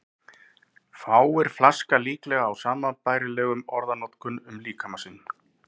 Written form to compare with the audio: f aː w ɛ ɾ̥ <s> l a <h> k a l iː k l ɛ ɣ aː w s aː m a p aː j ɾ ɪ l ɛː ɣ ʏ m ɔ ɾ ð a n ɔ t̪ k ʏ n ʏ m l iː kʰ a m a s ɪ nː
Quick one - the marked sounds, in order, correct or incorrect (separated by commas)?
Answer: incorrect, incorrect